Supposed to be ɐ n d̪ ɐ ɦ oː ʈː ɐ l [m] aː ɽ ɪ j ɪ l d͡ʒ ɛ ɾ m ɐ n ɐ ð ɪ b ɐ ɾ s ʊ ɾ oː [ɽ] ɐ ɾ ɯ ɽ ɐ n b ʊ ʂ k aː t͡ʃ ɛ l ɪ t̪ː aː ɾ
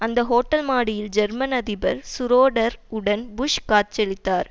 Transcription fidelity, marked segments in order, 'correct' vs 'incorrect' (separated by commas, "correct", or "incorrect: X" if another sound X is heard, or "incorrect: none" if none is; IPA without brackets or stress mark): correct, correct